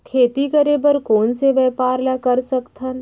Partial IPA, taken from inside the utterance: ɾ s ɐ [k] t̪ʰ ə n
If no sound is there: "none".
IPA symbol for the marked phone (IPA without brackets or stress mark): k